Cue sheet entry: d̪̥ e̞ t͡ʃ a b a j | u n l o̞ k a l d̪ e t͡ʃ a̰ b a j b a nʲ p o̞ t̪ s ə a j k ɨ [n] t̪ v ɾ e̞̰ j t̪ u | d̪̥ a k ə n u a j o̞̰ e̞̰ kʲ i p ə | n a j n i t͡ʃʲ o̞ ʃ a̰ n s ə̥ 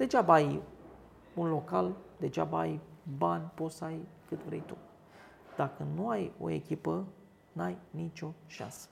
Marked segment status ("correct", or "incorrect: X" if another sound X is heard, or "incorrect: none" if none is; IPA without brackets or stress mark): incorrect: none